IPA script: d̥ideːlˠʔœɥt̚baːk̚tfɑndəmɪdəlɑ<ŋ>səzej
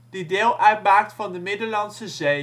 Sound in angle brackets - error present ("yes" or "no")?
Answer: yes